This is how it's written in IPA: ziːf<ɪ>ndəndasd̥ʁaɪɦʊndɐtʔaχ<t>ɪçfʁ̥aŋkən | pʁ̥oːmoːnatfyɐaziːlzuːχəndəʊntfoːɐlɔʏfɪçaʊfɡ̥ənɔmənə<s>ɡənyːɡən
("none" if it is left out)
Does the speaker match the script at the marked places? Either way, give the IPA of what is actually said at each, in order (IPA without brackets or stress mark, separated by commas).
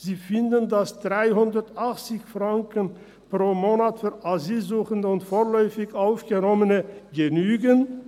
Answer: ɪ, t͡s, none